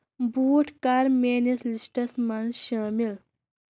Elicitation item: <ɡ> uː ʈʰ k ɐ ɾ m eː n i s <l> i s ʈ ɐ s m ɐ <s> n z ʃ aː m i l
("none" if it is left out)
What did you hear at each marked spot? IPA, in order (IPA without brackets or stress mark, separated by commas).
b, l, none